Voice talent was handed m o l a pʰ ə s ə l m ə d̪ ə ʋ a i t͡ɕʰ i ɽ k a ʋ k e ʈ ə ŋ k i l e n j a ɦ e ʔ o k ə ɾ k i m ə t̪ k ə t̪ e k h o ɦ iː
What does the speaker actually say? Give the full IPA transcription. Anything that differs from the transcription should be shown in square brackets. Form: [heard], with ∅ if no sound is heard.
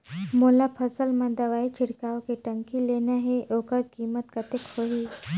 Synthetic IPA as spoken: m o l a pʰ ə s ə l m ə d̪ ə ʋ a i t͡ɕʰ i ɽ k a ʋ k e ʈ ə ŋ k i l e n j a ɦ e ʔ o k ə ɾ k i m ə t̪ k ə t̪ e k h o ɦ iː